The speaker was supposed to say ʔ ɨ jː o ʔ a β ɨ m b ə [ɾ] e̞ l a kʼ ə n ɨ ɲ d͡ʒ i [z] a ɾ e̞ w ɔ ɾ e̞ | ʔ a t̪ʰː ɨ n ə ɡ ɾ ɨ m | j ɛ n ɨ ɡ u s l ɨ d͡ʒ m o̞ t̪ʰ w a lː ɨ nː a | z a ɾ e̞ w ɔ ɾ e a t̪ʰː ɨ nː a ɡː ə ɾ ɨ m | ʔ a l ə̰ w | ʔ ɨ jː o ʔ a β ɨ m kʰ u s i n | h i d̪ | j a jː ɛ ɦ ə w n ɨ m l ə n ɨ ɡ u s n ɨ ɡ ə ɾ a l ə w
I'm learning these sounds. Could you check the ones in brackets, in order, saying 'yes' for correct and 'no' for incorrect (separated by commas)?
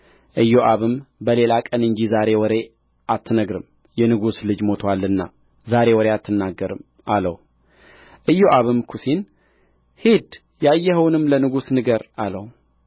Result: no, yes